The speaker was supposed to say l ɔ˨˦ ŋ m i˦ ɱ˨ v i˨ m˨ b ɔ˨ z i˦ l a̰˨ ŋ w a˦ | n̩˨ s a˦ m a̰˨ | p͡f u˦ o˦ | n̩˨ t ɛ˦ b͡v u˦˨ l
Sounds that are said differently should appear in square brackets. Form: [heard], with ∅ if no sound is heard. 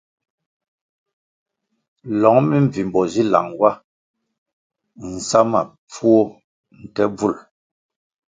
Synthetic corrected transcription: l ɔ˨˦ ŋ m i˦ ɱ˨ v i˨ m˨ b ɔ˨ z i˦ l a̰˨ ŋ w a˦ | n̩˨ s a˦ m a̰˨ | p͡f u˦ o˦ | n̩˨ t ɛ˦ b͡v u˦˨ l

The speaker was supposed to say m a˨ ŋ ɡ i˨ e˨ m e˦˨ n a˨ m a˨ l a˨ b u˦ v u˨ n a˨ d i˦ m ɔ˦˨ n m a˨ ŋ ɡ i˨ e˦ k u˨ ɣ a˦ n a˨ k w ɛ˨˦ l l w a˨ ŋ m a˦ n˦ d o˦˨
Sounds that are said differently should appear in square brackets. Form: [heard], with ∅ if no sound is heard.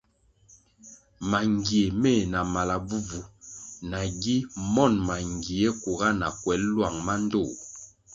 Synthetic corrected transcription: m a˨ ŋ ɡ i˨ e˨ m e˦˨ n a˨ m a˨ l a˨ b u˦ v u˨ n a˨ [ɡ] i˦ m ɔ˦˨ n m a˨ ŋ ɡ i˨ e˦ k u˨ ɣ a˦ n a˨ k w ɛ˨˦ l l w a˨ ŋ m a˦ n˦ d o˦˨

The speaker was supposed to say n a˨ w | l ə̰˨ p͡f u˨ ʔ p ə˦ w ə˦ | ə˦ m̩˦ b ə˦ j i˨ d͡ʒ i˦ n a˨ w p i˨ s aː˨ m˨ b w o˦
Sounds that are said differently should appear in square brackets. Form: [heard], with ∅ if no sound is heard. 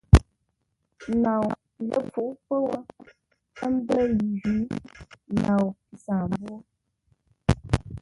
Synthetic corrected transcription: n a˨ w | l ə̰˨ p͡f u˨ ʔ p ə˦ w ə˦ | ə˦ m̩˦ b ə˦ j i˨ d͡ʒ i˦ n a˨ w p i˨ s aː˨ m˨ b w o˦

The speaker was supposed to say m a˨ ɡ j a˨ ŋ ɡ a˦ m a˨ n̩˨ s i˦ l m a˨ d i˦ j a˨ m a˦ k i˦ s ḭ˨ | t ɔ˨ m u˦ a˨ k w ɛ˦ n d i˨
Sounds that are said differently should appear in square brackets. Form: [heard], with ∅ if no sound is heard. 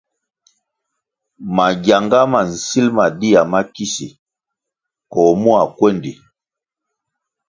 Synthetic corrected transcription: m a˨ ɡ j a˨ ŋ ɡ a˦ m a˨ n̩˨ s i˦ l m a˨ d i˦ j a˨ m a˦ k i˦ s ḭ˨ | [k] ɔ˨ m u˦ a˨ k w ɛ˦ n d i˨

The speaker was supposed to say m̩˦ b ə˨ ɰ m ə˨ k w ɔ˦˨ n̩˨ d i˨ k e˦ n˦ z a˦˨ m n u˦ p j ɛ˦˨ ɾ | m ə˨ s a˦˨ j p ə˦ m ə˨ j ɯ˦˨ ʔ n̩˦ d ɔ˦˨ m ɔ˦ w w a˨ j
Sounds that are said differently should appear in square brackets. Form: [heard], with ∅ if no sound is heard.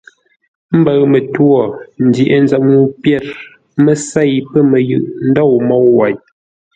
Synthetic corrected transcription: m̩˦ b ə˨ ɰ m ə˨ [t] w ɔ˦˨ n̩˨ d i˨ [ʔ] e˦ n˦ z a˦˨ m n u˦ p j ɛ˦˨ ɾ | m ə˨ s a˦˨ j p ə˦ m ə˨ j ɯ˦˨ ʔ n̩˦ d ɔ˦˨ m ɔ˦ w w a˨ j

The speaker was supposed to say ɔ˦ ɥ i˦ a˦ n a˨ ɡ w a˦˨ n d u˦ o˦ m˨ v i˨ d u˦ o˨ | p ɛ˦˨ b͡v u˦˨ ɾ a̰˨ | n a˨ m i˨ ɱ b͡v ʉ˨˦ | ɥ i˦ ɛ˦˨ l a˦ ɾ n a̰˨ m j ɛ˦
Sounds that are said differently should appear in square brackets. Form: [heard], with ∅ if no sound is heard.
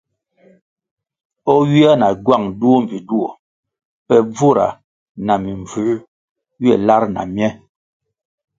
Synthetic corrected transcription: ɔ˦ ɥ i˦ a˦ n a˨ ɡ w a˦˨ [ŋ] d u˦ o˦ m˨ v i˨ d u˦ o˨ | p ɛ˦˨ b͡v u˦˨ ɾ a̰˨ | n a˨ m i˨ ɱ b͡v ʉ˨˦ | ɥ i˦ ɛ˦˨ l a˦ ɾ n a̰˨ m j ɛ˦

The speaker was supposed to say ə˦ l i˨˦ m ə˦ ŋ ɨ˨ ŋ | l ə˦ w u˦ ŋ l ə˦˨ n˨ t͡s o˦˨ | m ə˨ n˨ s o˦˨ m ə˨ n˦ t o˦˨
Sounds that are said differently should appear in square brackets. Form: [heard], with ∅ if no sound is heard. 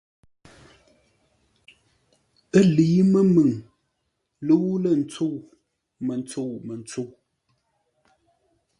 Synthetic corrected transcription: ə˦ l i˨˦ m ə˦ [m] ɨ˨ ŋ | l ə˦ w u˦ [∅] l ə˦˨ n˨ t͡s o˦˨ | m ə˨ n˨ [t͡s] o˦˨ m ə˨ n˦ [t͡s] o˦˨

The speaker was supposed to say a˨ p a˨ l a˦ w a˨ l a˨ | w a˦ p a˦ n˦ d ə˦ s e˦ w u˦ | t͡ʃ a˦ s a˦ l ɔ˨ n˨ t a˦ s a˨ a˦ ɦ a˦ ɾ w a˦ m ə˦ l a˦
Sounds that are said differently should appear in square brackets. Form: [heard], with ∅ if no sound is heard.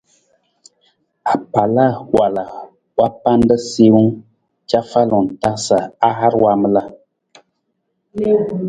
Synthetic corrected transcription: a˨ p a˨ l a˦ w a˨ l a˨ | w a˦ p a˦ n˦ d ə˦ s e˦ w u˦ | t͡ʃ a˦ [f] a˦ l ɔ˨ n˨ t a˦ s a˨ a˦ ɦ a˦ ɾ w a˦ m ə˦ l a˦

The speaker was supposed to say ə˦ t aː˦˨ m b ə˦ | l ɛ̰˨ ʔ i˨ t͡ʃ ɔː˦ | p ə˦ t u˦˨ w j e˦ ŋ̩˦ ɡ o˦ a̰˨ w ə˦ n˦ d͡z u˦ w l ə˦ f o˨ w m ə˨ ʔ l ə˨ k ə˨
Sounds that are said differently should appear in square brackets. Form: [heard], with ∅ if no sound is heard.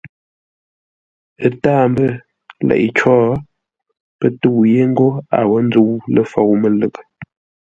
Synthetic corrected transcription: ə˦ t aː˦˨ m b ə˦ | l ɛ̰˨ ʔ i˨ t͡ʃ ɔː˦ | p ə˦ t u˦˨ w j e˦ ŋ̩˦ ɡ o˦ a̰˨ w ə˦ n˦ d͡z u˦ w l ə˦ f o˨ w m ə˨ [∅] l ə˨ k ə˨

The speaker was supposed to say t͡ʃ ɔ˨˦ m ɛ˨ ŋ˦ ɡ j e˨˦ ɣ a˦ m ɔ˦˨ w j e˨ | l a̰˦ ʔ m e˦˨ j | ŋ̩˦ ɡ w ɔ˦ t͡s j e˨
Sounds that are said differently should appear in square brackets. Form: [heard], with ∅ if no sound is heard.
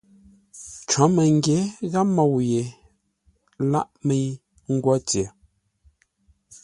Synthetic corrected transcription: t͡ʃ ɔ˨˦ m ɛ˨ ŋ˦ ɡ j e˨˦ ɣ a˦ m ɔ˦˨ w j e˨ | l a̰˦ ʔ m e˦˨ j | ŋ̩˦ ɡ w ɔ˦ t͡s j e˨

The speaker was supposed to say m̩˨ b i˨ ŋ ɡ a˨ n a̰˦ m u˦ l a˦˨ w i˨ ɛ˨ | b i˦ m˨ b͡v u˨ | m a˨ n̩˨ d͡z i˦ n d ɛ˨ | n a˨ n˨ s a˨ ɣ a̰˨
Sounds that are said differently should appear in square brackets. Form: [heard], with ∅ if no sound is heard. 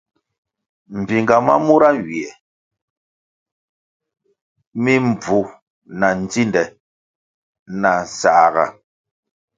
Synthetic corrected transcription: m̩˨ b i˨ ŋ ɡ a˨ [m] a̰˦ m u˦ [ɾ] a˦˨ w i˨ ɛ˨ | [m] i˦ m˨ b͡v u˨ | [n] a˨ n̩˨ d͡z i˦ n d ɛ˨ | n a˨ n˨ s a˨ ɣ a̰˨

